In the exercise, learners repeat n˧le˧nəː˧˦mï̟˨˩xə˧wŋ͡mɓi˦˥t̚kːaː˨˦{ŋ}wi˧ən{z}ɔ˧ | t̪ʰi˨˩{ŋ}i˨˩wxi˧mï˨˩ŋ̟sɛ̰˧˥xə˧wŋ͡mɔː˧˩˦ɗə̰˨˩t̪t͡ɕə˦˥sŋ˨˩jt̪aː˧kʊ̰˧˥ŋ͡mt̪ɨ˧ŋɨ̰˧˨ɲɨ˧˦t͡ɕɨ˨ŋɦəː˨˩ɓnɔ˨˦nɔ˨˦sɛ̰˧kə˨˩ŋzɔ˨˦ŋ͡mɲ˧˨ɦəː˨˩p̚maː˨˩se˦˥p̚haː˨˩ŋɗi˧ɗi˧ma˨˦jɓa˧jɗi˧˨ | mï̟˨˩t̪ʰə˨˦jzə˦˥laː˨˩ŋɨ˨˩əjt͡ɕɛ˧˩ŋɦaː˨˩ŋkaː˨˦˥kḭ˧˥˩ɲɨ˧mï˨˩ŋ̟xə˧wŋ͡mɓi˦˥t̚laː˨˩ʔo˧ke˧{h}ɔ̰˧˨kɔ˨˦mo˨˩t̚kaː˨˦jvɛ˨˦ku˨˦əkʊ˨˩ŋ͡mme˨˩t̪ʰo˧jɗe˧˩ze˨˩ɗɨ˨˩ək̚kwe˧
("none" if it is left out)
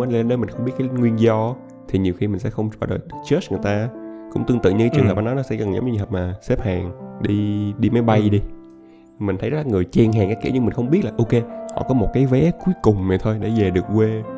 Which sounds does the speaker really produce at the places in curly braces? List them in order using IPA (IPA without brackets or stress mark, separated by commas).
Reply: ŋ, z, ɲ, h